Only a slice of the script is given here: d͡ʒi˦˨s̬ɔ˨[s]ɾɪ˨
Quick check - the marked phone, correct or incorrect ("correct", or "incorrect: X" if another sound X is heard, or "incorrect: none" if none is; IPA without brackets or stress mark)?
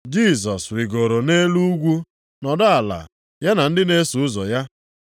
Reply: correct